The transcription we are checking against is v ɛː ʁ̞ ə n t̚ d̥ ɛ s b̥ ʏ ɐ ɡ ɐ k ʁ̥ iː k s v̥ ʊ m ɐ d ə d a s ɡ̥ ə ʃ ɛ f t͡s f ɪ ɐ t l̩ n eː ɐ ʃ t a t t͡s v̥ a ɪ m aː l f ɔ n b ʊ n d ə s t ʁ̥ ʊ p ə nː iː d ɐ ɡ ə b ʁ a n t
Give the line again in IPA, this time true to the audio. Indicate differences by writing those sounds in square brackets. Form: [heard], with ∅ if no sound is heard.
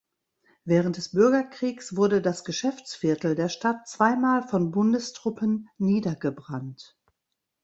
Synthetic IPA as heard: v ɛː ʁ̞ ə n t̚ d̥ ɛ s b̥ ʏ ɐ ɡ ɐ k ʁ̥ iː k s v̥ ʊ [∅] ɐ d ə d a s ɡ̥ ə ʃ ɛ f t͡s f ɪ ɐ t l̩ [d] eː ɐ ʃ t a t t͡s v̥ a ɪ m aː l f ɔ n b ʊ n d ə s t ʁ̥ ʊ p ə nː iː d ɐ ɡ ə b ʁ a n t